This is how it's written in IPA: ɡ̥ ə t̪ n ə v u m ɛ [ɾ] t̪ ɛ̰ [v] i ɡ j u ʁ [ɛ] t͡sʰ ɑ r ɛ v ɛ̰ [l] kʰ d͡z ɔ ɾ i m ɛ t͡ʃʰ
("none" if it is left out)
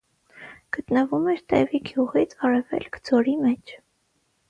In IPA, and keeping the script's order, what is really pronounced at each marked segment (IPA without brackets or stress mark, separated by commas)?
ɾ, v, i, l